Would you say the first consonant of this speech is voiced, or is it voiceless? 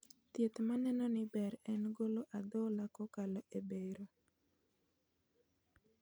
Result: voiceless